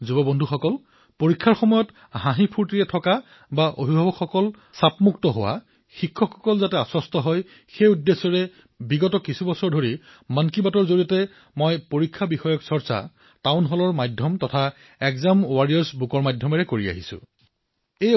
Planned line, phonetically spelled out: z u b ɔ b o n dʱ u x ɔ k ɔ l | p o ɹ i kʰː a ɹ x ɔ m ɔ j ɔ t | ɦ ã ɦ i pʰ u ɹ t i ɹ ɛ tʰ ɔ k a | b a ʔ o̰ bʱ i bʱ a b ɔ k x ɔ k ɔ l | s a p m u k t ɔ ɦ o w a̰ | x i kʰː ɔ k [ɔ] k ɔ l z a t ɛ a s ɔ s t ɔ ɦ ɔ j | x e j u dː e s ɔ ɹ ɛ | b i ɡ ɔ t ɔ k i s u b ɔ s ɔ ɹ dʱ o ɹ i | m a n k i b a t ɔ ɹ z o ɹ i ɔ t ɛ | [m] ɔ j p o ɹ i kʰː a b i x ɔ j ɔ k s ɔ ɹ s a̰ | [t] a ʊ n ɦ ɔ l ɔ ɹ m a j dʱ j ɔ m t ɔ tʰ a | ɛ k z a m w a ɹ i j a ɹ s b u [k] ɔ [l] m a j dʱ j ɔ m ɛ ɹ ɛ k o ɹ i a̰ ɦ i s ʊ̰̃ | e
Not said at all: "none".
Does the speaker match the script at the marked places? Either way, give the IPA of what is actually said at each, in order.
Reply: ɔ, m, t, k, ɹ

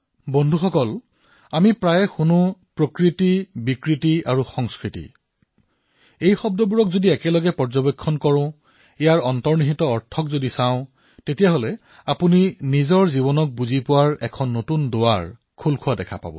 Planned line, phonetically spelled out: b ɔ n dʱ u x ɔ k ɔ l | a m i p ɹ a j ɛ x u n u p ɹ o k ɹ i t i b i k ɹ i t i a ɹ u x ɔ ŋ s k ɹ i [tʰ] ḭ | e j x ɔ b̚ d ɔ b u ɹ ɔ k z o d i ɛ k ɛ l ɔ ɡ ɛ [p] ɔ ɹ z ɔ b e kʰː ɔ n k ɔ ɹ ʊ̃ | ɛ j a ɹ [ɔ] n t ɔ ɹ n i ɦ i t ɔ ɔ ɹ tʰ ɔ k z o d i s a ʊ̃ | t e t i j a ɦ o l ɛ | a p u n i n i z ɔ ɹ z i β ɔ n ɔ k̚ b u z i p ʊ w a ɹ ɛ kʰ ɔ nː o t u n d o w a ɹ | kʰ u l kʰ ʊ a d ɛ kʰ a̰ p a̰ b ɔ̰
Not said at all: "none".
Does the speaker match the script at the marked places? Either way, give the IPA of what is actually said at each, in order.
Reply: t, p, ɔ

